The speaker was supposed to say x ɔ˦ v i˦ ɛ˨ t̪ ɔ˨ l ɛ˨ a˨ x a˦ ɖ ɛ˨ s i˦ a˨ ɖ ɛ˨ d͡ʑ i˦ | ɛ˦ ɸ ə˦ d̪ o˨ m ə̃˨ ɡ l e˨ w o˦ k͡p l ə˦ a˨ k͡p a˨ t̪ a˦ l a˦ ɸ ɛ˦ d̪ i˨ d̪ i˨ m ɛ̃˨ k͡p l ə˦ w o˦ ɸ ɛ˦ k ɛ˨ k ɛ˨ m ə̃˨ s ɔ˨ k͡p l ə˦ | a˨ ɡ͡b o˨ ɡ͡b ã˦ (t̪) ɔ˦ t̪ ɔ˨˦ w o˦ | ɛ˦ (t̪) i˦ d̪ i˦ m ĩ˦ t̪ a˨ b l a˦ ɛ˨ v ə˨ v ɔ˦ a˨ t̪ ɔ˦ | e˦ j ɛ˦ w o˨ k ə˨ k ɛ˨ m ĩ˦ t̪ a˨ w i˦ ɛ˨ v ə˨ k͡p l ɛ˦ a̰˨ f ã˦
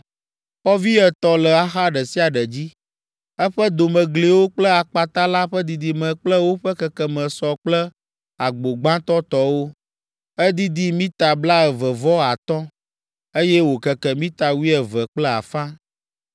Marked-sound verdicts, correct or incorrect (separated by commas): correct, incorrect